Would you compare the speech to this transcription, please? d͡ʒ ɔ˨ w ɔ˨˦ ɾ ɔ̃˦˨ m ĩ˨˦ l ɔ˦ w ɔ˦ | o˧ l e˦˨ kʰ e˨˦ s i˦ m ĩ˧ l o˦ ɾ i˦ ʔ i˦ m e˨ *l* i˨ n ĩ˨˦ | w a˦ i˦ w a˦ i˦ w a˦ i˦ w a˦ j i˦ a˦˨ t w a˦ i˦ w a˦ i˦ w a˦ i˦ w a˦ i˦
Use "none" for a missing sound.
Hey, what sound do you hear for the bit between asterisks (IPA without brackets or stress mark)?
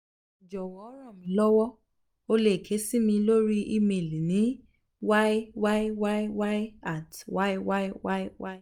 l